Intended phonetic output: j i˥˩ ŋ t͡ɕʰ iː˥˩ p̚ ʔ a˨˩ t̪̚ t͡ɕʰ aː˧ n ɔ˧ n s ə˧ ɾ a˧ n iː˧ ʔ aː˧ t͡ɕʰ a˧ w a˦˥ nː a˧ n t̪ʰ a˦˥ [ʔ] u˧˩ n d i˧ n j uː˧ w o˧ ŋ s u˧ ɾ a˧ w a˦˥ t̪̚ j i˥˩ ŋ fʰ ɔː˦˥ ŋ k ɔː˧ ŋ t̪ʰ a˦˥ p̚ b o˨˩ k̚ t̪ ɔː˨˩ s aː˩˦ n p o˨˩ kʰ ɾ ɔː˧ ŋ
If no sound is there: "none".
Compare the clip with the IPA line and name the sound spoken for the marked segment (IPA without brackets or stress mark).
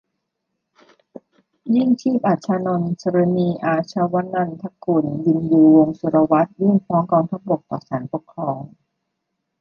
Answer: k